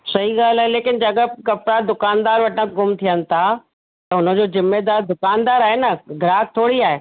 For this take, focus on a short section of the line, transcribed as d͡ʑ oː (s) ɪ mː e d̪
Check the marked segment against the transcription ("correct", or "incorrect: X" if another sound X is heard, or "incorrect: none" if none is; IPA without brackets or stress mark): incorrect: z